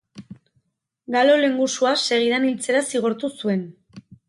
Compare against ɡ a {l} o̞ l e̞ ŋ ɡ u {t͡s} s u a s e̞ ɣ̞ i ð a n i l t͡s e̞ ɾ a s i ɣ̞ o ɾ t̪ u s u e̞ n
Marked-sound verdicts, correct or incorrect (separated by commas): correct, incorrect